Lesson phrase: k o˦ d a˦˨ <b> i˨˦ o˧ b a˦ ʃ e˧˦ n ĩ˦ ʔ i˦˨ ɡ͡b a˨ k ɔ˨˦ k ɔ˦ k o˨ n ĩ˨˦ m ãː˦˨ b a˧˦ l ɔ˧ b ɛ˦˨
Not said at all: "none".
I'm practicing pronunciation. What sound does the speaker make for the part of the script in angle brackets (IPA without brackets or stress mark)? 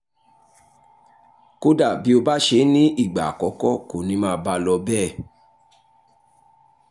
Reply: b